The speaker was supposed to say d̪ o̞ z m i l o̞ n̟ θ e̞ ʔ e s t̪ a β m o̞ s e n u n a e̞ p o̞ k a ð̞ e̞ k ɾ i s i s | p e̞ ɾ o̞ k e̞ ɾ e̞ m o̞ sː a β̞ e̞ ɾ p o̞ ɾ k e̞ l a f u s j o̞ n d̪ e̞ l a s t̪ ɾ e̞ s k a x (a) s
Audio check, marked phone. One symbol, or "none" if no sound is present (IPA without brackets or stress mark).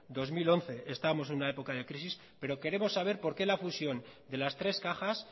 a